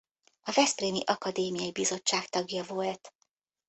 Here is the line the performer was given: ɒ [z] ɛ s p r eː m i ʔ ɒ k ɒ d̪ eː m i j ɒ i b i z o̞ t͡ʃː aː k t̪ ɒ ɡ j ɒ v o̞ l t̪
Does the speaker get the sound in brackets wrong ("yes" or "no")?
yes